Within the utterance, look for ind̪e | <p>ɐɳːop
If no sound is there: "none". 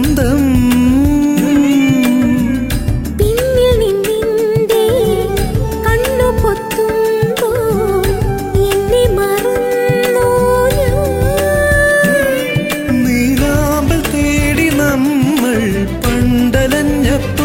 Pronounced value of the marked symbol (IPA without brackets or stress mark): k